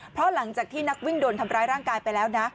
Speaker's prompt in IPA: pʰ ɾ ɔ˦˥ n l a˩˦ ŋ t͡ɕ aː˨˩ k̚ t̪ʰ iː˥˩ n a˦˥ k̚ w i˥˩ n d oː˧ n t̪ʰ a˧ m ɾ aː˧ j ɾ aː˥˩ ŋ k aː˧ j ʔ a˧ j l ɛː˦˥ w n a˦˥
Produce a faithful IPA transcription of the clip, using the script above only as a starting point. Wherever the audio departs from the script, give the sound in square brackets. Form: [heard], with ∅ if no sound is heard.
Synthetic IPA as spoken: pʰ ɾ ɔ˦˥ [∅] l a˩˦ ŋ t͡ɕ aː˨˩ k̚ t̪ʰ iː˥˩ n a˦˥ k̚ w i˥˩ [ŋ] d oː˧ n t̪ʰ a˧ m ɾ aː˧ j ɾ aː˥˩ ŋ k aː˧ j [p] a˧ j l ɛː˦˥ w n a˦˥